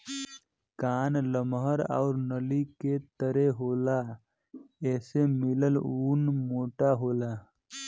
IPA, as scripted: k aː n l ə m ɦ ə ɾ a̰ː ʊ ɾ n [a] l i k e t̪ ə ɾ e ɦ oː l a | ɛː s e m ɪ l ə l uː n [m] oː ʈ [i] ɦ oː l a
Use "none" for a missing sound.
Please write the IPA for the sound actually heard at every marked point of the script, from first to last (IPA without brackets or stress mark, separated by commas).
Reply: ə, m, a